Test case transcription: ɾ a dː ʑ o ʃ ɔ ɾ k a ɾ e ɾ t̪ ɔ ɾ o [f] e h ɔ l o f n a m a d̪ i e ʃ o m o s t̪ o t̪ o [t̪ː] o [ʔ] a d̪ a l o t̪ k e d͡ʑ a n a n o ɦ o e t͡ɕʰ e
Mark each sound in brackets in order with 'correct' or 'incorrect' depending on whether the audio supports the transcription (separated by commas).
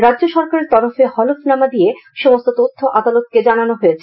correct, incorrect, correct